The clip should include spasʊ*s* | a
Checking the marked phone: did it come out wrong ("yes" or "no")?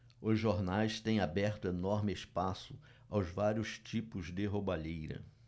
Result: yes